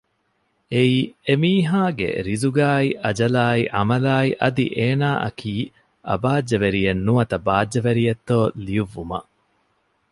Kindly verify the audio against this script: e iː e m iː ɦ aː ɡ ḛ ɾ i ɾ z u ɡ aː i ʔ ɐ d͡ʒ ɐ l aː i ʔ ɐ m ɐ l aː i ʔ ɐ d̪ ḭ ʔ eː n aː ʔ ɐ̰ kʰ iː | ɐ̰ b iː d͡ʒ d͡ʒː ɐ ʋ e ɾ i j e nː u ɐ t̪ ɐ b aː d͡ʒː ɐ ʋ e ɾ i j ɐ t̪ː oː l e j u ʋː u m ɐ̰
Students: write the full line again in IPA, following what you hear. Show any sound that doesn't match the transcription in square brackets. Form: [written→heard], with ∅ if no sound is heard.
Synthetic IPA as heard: e iː e m iː ɦ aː ɡ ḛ ɾ i [ɾ→∅] z u ɡ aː i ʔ ɐ d͡ʒ ɐ l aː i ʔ ɐ m ɐ l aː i ʔ ɐ d̪ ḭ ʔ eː n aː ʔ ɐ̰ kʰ iː | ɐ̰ b [iː→aː] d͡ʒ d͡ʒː ɐ ʋ e ɾ i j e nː u ɐ t̪ ɐ b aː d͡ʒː ɐ ʋ e ɾ i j ɐ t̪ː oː l [e→i] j u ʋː u m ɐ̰